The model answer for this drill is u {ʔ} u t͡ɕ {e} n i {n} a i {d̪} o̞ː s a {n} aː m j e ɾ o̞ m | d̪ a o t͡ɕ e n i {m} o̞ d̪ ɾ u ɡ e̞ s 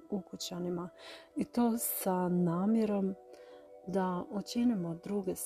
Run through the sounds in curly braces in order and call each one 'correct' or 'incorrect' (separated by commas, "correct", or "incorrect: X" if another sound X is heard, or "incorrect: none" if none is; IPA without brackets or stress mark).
incorrect: k, incorrect: a, incorrect: m, incorrect: t̪, correct, correct